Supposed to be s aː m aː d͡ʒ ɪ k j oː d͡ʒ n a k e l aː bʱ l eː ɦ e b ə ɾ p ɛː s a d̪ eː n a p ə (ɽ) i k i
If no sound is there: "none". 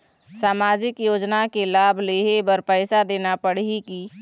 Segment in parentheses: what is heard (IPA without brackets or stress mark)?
ɽ